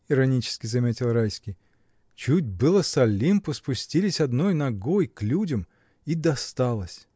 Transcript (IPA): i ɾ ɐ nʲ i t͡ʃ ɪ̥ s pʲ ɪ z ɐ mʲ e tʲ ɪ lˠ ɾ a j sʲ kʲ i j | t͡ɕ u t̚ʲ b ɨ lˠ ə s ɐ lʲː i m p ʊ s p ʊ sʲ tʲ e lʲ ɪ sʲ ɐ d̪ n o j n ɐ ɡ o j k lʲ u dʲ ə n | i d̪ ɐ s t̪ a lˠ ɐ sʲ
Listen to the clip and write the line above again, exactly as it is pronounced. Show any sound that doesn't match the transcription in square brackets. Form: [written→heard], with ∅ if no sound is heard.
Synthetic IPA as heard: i ɾ ɐ nʲ i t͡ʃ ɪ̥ s [pʲ→kʲ] ɪ z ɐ mʲ e tʲ ɪ lˠ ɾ a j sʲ kʲ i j | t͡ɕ u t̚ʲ b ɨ lˠ ə s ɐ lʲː i m p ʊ s p ʊ sʲ tʲ [e→i] lʲ ɪ sʲ ɐ d̪ n o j n ɐ ɡ o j k lʲ u dʲ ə [n→m] | i d̪ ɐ s t̪ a lˠ [ɐ→ə] sʲ